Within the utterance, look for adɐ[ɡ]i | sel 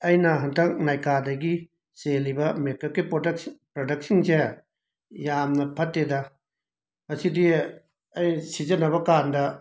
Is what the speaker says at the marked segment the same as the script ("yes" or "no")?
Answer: yes